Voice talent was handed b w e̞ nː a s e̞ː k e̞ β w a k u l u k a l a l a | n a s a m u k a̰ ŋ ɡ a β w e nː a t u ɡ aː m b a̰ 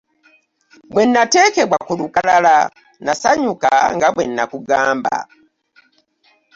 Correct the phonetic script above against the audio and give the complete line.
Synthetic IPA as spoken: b w e̞ nː a t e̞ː k e̞ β w a k u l u k a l a l a | n a s a ɲ u k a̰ ŋ ɡ a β w e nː a k u ɡ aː m b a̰

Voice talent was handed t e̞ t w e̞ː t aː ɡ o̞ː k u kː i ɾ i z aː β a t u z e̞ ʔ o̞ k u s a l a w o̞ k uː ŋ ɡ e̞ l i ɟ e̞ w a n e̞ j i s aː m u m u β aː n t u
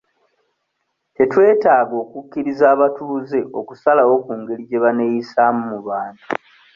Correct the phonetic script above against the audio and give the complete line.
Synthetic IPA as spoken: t e̞ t w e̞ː t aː ɡ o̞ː k u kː i ɾ i z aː β a t u z e̞ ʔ o̞ k u s a l a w o̞ k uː ŋ ɡ e̞ l i ɟ e̞ β a n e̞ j i s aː m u m u β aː n t u

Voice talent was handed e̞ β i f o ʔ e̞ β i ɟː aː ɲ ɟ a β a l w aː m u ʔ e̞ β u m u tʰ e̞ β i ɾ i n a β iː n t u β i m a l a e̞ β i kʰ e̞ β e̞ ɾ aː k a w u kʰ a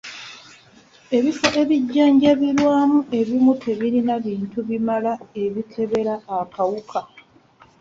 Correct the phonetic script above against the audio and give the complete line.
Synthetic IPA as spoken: e̞ β i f o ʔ e̞ β i ɟː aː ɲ ɟ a β i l w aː m u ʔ e̞ β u m u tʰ e̞ β i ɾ i n a β iː n t u β i m a l a e̞ β i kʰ e̞ β e̞ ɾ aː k a w u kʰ a

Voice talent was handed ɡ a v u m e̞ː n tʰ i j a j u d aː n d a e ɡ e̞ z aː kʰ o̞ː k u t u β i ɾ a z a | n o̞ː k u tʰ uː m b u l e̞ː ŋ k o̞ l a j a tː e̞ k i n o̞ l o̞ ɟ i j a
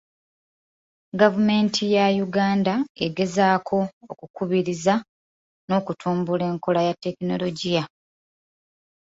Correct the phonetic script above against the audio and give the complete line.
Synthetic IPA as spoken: ɡ a v u m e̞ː n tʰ i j a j u ɡ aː n d a e ɡ e̞ z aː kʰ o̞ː k u k u β i ɾ i z a | n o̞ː k u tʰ uː m b u l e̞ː ŋ k o̞ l a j a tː e̞ k i n o̞ l o̞ ɟ i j a

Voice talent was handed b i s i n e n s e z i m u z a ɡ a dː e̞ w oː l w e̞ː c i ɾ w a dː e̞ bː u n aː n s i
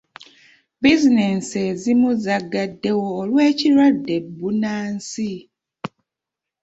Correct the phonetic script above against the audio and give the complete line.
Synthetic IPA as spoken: b i z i n e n s e z i m u z a ɡ a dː e̞ w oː l w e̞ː c i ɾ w a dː e̞ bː u n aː n s i

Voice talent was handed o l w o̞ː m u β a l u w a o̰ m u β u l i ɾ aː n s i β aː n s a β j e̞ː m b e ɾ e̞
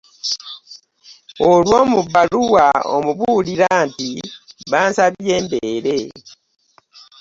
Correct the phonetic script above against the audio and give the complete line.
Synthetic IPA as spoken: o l w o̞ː m u β a l u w a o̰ m u β u l i ɾ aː n t i β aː n s a β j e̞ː m b e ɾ e̞

